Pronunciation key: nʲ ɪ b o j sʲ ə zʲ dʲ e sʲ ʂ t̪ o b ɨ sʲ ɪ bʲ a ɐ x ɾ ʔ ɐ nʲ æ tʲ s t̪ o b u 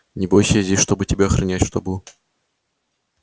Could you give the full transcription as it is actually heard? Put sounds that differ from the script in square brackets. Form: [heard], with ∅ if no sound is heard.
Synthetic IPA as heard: nʲ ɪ b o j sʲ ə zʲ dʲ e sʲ ʂ t̪ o b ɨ [tʲ] ɪ bʲ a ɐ x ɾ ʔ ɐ nʲ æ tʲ [ʂ] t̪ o b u